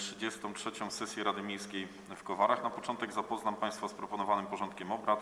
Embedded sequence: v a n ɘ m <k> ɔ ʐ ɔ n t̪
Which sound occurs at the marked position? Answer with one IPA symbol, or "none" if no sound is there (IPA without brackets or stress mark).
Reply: p